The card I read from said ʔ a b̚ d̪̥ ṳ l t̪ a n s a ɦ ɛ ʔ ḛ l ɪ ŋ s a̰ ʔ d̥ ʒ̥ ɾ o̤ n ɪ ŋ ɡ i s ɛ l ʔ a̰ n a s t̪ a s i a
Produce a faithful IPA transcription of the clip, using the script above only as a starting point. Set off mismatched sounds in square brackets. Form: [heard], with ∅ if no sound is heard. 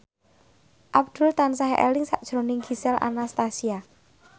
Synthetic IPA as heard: ʔ a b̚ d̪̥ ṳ l t̪ a n s a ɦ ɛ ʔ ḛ l ɪ ŋ s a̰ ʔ d̥ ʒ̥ ɾ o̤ n ɪ ŋ ɡ i s ɛ l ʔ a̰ n a s t̪ a s i a